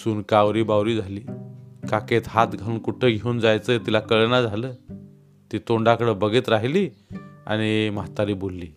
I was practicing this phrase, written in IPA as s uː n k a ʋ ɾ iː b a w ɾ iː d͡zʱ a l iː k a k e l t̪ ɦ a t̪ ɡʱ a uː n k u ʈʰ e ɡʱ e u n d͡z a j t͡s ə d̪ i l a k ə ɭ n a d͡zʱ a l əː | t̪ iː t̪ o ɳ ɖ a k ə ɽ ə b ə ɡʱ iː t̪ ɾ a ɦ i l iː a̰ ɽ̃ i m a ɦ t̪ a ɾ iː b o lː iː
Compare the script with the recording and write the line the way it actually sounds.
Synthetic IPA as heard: s uː n k a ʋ ɾ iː b a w ɾ iː d͡zʱ a l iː k a k e t̪ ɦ a t̪ ɡʱ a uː n k u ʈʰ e ɡʱ e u n d͡z a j t͡s ə t̪ i l a k ə ɭ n a d͡zʱ a l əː | t̪ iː t̪ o ɳ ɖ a k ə ɽ ə b ə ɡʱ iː t̪ ɾ a ɦ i l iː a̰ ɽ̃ i m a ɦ t̪ a ɾ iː b o lː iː